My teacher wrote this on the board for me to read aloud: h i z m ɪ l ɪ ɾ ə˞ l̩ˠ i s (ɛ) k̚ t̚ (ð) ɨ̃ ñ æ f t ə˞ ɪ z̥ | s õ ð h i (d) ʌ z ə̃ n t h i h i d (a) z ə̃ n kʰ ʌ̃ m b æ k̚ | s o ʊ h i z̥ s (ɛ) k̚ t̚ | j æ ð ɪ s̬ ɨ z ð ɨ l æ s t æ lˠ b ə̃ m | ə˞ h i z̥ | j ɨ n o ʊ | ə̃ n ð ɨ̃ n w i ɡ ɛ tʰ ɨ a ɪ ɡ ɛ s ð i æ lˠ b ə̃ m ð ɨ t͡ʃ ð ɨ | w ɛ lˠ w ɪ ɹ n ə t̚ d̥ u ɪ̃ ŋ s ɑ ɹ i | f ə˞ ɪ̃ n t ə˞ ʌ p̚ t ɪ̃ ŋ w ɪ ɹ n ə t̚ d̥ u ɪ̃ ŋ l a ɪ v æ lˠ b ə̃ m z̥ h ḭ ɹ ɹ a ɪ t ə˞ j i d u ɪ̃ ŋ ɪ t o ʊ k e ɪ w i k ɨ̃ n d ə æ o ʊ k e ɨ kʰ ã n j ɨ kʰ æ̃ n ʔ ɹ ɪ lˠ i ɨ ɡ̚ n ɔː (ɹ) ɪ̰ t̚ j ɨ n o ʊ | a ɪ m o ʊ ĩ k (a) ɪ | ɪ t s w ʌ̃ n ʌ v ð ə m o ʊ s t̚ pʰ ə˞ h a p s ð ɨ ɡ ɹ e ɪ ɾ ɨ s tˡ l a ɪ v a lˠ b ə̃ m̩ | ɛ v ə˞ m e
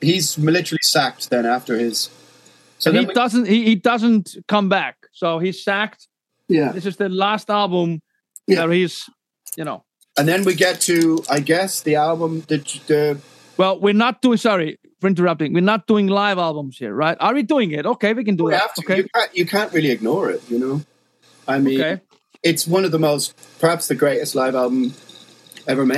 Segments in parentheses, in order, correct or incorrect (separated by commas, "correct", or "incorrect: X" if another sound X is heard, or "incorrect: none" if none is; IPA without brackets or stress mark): incorrect: æ, correct, correct, incorrect: ʌ, incorrect: æ, correct, incorrect: e